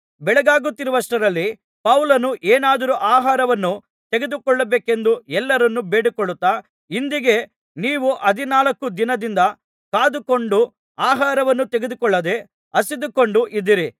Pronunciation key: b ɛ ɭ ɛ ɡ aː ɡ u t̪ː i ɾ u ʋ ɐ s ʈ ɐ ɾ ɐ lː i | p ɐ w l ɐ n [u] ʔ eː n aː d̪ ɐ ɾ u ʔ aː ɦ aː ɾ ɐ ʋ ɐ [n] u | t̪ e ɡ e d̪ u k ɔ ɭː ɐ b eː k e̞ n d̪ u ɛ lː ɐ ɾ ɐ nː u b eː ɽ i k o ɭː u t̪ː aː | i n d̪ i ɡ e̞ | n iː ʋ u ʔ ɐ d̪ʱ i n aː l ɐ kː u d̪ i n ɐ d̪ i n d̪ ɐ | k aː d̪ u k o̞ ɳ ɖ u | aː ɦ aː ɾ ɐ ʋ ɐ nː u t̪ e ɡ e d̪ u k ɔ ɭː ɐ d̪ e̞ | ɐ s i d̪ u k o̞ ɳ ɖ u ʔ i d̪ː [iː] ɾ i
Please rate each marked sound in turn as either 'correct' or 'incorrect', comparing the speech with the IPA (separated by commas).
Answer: correct, incorrect, incorrect